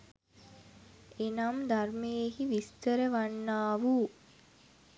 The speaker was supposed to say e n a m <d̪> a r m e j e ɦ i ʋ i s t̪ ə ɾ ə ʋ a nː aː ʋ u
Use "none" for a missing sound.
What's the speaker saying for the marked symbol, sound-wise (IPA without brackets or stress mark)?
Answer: d̪